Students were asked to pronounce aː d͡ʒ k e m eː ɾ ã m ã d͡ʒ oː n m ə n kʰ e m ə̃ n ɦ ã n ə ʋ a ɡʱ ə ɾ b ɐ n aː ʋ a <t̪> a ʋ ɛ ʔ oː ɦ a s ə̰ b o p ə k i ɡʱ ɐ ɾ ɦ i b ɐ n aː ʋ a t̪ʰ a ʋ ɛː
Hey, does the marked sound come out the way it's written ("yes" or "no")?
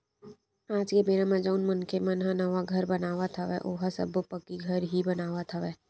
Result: no